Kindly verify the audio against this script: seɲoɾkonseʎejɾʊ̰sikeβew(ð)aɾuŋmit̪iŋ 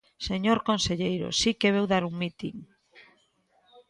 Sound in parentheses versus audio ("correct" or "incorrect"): correct